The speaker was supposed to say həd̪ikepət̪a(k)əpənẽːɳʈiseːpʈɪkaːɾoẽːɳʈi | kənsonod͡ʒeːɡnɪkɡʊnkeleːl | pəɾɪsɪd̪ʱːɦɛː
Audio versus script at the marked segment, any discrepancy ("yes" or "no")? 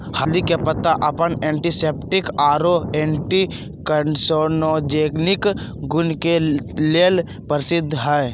yes